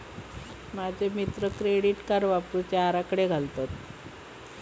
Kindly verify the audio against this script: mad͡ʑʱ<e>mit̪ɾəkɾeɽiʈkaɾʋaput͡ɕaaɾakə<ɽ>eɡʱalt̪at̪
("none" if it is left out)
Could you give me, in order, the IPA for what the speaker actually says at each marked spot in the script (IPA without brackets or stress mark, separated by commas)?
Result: e, ɽ